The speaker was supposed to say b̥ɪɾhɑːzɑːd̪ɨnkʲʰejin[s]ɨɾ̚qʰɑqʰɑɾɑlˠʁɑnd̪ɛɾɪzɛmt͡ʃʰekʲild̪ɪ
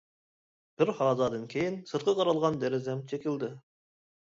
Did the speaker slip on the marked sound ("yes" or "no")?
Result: no